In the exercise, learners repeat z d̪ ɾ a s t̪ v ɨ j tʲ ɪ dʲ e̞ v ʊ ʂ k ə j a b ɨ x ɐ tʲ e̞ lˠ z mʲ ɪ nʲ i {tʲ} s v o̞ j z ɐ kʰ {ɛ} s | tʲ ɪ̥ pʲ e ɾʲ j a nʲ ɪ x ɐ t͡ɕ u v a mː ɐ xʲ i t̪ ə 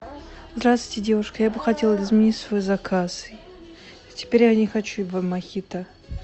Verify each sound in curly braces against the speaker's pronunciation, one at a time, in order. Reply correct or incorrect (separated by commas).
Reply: correct, incorrect